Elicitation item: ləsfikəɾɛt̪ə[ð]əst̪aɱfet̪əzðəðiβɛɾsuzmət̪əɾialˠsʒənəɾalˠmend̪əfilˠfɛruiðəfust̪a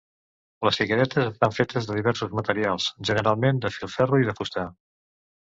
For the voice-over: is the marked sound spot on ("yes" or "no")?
no